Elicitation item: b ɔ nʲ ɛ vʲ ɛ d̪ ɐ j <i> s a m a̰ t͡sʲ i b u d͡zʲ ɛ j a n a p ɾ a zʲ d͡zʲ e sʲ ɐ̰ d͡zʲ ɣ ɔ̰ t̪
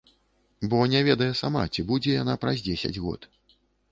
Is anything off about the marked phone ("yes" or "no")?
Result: yes